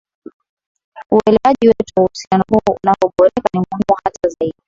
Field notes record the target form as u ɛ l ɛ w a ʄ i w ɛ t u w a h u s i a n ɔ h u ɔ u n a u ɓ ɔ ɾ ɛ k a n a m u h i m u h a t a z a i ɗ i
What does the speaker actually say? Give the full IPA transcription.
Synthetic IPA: u ɛ l ɛ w a ʄ i w ɛ t u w a h u s i a n ɔ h u ɔ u n a ɔ ɓ ɔ ɾ ɛ k a n i m u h i m u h a t a z a i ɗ i

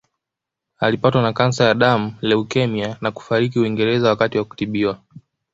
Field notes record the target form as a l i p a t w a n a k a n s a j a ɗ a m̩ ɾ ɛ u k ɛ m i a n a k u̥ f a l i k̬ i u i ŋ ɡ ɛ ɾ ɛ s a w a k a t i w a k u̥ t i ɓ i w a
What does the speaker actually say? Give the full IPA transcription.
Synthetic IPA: a l i p a t w a n a k a n s a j a ɗ a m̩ l ɛ u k ɛ m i a n a k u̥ f a ɾ i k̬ i u i ŋ ɡ ɛ ɾ ɛ z a w a k a t i w a k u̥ t i ɓ i w a

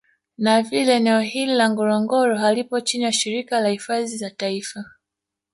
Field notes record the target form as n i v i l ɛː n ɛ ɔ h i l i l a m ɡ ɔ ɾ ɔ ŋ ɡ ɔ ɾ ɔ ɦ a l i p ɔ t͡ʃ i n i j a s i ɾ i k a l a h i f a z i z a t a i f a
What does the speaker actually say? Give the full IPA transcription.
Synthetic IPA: n a v i l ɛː n ɛ ɔ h i l i l a ŋ ɡ ɔ ɾ ɔ ŋ ɡ ɔ ɾ ɔ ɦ a l i p ɔ t͡ʃ i n i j a ʃ i ɾ i k a l a h i f a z i z a t a i f a

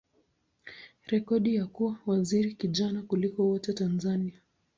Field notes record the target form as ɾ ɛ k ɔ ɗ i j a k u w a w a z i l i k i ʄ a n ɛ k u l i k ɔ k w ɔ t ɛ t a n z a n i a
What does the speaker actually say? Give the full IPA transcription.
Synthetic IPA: ɾ ɛ k ɔ ɗ i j a k u w a w a z i ɾ i k i ʄ a n a k u l i k ɔ w ɔ t ɛ t a n z a n i a

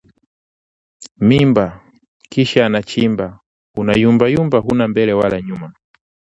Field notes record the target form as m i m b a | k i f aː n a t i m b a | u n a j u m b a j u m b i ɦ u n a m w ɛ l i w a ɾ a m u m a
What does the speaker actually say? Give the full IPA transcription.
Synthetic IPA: m i m b a | k i ʃ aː n a t͡ʃ i m b a | u n a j u m b a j u m b a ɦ u n a m b ɛ l ɛ w a l a ɲ u m a

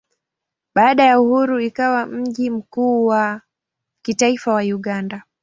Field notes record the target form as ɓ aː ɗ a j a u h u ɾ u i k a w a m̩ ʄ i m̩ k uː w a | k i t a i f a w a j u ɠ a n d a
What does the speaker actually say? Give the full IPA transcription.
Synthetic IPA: ɓ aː ɗ a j a u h u ɾ u i k a w a m̩ ʄ i m̩ k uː w a | k i t a i f a w a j u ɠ a n d a

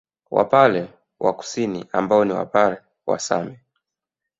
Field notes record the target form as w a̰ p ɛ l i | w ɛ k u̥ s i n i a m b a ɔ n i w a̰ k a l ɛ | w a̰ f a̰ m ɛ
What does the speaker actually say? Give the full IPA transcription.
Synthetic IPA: w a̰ p a l ɛ | w a k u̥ s i n i a m b a ɔ n i w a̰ p a l ɛ | w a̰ s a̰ m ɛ

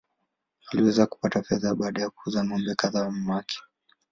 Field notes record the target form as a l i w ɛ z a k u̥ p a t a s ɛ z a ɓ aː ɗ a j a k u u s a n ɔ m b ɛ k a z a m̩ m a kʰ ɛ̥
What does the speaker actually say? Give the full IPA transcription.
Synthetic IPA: a l i w ɛ z a k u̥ p a t a f ɛ ð a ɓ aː ɗ a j a k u u z a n ɔ m b ɛ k a ð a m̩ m a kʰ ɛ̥

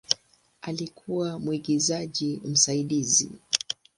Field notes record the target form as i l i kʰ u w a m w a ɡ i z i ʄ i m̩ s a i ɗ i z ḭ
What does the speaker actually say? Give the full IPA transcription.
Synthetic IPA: a l i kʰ u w a m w i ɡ i z a ʄ i m̩ s a i ɗ i z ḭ

